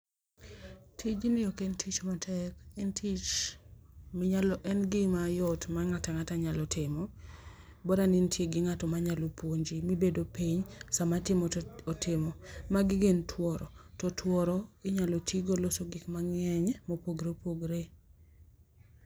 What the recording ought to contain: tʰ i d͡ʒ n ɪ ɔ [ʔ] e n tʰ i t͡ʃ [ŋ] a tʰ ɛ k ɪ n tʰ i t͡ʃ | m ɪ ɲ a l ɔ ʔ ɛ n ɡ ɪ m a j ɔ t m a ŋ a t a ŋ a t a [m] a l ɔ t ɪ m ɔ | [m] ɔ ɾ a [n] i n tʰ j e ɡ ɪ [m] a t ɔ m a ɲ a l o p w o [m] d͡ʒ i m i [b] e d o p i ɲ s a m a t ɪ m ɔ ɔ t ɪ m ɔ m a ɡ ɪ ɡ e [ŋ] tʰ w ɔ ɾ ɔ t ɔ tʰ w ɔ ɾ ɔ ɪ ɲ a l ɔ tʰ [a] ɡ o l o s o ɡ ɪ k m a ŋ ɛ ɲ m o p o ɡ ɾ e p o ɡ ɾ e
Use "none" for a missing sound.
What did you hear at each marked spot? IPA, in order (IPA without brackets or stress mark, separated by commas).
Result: k, m, ɲ, b, n, ŋ, ɲ, b, n, i